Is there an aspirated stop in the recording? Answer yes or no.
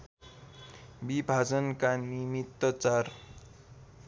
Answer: no